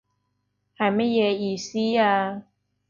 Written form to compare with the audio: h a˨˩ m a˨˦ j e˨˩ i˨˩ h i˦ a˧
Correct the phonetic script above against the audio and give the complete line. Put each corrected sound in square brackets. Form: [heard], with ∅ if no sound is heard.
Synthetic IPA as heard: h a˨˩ m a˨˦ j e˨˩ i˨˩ [s] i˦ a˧